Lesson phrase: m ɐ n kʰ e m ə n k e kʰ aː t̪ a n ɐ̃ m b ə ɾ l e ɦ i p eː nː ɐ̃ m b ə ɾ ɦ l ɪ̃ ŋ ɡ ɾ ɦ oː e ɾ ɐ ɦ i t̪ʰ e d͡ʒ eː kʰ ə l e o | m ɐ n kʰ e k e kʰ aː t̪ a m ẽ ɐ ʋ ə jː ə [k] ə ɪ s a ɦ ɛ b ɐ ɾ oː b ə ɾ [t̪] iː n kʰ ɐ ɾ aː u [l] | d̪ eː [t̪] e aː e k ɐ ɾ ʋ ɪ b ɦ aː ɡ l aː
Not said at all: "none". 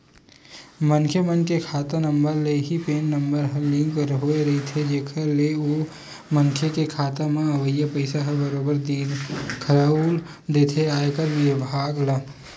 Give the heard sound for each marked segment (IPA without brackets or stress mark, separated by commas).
p, d̪, l, t̪ʰ